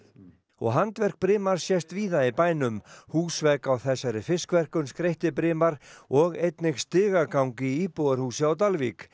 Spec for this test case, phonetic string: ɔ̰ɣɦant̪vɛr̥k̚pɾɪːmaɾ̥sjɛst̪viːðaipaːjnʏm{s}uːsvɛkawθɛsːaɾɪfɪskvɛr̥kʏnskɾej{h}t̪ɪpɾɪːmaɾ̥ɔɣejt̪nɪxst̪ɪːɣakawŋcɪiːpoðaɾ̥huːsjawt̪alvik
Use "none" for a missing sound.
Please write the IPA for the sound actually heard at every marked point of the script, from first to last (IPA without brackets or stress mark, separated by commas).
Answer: h, h